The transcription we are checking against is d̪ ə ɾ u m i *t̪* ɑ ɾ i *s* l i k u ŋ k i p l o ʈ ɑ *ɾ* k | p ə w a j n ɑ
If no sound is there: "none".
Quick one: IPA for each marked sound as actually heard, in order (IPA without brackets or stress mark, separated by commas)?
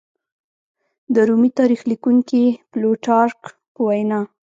t̪, x, ɾ